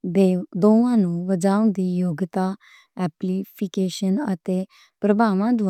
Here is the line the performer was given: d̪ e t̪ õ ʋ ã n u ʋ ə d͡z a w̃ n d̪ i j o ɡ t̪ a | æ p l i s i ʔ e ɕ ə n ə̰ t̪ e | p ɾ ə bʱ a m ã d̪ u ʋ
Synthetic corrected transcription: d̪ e d̪ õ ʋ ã n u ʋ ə d͡z a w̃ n d̪ i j o ɡ t̪ a | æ p l i f i k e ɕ ə n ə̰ t̪ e | p ɾ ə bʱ a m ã d̪ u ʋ

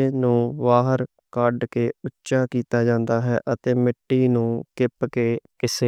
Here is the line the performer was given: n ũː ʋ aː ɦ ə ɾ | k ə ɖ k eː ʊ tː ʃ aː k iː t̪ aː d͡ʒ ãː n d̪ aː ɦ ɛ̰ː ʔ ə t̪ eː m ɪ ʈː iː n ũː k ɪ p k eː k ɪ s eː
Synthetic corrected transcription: n ũː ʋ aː ɦ ə ɾ | k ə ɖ k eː ʊ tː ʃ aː k iː t̪ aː d͡ʒ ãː n d̪ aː ɦ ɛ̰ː ʔ ə t̪ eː m ɪ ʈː iː n ũː k ɪ p k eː k ɪ s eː

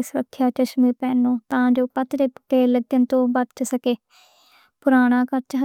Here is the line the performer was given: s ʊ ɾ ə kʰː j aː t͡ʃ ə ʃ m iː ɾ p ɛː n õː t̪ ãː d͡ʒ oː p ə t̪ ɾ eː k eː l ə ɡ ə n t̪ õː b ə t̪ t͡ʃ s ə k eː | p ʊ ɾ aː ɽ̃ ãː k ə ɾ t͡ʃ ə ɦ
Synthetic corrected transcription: s ʊ ɾ ə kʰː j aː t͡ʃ ə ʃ m iː ɾ p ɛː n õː t̪ ãː d͡ʒ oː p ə t̪ ɾ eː k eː l ə ɡ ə n t̪ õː b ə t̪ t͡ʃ s ə k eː | p ʊ ɾ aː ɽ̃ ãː k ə ɾ t͡ʃ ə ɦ

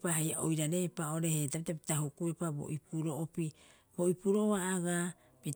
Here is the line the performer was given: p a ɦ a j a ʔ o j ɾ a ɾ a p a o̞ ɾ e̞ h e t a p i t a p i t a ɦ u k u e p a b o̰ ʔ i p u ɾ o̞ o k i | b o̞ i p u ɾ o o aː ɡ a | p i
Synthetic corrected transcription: p a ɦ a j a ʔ o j ɾ a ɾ e p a o̞ ɾ e̞ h e t a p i t a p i t a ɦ u k u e p a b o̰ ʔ i p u ɾ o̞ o p i | b o̞ i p u ɾ o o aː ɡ a | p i

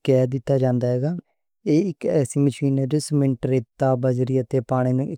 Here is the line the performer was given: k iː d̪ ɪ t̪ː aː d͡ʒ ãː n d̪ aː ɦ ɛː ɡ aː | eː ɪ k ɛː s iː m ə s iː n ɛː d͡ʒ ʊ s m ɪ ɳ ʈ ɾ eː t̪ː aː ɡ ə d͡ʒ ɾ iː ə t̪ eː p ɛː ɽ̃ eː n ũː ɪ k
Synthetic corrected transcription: k ɛː d̪ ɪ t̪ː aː d͡ʒ ãː n d̪ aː ɦ ɛː ɡ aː | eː ɪ k ɛː s iː m ə ʃ iː n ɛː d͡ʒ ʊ s m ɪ ɳ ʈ ɾ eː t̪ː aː b ə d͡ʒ ɾ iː ə t̪ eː p aː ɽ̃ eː n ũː ɪ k

